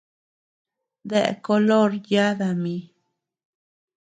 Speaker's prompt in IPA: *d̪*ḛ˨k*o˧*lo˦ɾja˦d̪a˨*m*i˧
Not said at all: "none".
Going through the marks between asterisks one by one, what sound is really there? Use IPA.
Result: d̪, o˧, m

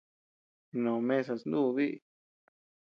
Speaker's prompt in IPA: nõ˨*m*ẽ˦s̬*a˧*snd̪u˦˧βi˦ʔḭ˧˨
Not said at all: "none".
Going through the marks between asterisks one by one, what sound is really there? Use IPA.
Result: m, a˧

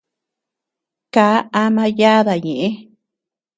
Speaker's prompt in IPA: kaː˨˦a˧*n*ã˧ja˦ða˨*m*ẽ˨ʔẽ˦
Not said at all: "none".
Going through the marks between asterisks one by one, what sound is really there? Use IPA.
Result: m, ɲ

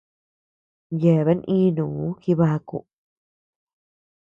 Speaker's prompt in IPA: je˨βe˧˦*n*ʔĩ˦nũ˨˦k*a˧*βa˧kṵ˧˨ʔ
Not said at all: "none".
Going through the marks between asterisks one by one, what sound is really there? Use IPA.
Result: n, i˧

